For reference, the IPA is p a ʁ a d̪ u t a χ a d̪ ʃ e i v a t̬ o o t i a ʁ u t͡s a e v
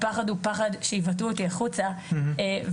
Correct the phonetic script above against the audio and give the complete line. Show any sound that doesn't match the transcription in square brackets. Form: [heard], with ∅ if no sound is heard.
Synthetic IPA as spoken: p a [χ] a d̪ u [p] a χ a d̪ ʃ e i v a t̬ [u] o t i a [χ] u t͡s a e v